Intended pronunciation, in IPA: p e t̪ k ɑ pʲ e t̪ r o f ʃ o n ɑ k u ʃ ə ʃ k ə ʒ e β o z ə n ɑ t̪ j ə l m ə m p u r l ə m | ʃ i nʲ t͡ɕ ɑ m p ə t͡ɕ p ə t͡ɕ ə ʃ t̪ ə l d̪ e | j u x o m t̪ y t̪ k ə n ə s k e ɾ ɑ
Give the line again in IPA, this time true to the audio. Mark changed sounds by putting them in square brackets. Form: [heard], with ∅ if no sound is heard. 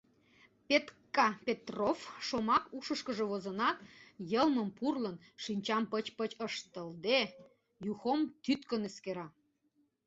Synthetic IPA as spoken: p e t̪ k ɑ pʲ e t̪ r o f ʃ o [m] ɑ k u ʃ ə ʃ k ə ʒ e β o z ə n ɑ t̪ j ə l m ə m p u r l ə [n] | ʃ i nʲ t͡ɕ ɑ m p ə t͡ɕ p ə t͡ɕ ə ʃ t̪ ə l d̪ e | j u x o m t̪ y t̪ k ə n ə s k e ɾ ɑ